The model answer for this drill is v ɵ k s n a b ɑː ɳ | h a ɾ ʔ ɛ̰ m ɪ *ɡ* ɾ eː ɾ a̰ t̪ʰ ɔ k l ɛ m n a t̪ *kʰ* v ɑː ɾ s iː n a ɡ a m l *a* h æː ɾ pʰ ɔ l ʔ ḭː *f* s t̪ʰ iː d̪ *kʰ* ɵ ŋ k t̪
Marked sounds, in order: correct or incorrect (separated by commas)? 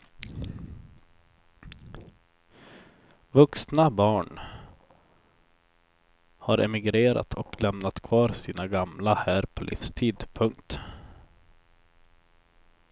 correct, correct, correct, correct, incorrect